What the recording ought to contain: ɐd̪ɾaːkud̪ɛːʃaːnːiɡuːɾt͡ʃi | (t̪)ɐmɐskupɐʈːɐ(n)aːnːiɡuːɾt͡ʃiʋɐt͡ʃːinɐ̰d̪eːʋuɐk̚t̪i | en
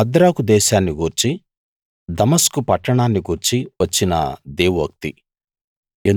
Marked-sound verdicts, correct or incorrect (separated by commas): incorrect, incorrect